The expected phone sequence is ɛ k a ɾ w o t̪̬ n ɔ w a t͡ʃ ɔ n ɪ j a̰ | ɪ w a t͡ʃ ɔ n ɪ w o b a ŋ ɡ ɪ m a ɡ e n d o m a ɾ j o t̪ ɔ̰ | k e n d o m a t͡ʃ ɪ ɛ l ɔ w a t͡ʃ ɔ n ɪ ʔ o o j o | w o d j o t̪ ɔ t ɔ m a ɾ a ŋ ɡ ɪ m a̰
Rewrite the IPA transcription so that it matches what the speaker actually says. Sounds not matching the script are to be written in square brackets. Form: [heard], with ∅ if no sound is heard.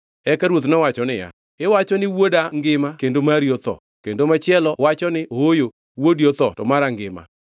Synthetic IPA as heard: ɛ k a ɾ w o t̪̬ n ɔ w a t͡ʃ ɔ n ɪ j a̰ | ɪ w a t͡ʃ ɔ n ɪ w o [d] a ŋ ɡ ɪ m a [k] e n d o m a ɾ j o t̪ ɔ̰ | k e n d o m a t͡ʃ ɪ ɛ l ɔ w a t͡ʃ ɔ n ɪ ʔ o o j o | w o d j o t̪ ɔ t ɔ m a ɾ a ŋ ɡ ɪ m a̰